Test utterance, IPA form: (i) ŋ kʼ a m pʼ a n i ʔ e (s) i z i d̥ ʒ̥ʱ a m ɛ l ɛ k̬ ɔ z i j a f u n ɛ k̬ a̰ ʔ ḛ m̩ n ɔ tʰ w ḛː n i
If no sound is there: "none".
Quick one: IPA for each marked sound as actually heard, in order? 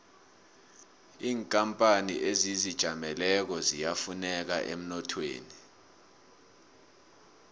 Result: iː, z

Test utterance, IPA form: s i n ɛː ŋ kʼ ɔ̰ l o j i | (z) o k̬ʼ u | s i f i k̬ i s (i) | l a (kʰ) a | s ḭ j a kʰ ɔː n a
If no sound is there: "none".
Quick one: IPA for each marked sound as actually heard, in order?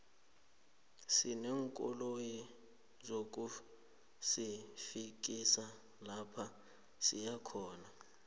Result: z, a, pʰ

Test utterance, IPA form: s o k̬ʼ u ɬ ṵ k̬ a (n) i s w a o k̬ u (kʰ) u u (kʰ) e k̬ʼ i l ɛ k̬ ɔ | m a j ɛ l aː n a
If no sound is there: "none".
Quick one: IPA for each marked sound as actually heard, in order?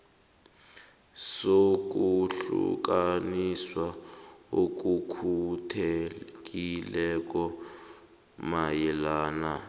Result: n, kʰ, tʰ

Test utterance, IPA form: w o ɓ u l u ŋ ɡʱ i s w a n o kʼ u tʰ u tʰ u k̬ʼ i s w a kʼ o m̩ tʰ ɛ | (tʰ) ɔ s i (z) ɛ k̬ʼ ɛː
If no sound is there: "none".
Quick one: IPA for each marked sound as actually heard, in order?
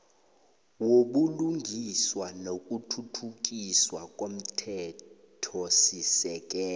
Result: tʰ, s

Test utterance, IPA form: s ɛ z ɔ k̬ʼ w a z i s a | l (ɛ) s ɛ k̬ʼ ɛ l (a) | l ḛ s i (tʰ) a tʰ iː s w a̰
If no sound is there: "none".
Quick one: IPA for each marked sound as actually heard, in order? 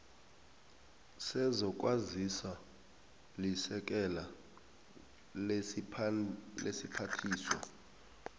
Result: i, a, pʰ

